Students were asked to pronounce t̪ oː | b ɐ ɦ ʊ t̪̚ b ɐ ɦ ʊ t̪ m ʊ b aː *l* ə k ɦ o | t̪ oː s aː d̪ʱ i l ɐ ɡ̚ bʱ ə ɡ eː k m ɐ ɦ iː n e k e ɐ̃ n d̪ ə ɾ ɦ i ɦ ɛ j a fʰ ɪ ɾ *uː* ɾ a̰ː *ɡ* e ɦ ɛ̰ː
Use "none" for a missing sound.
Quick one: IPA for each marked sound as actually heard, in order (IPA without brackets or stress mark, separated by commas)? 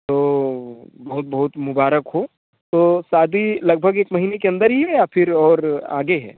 ɾ, ɔː, ɡ